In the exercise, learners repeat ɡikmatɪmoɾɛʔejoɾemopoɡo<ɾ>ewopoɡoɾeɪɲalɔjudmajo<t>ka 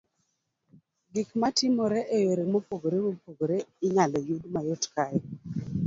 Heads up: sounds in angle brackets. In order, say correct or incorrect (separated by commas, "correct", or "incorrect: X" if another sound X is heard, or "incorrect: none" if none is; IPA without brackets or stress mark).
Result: correct, correct